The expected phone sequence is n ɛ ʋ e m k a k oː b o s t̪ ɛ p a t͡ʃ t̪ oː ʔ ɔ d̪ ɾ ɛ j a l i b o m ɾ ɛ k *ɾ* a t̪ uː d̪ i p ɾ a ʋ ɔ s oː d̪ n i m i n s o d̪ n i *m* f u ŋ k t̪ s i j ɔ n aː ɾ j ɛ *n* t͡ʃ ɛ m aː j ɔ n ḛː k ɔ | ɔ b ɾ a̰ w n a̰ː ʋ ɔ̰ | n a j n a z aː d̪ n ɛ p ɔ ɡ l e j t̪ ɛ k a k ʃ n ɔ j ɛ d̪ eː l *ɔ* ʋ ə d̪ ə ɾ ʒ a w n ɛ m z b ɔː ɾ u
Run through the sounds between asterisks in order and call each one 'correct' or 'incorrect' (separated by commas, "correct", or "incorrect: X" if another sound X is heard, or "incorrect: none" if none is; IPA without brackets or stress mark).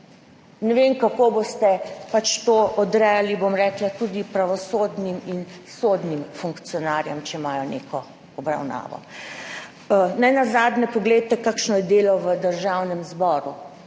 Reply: incorrect: l, correct, incorrect: m, correct